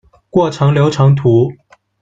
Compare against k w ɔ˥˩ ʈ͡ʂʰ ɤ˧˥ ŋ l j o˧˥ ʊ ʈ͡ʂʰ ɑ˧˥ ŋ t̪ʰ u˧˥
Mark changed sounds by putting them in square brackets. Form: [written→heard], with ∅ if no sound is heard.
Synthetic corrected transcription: k w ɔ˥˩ ʈ͡ʂʰ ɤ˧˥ ŋ l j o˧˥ ʊ ʈ͡ʂʰ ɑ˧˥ ŋ t̪ʰ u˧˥